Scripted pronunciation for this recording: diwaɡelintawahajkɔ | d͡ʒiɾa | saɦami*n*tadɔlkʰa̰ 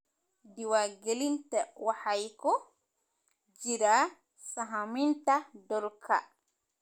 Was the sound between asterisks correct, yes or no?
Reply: yes